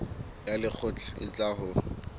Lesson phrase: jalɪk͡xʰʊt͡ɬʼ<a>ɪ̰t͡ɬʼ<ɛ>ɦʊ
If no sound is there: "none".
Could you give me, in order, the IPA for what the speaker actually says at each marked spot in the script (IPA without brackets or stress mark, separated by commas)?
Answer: a, a